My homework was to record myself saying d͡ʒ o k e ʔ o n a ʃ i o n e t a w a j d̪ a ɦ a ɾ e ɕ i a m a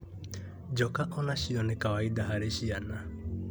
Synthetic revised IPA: d͡ʒ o k a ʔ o n a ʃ i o n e k a w a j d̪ a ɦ a ɾ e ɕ i a n a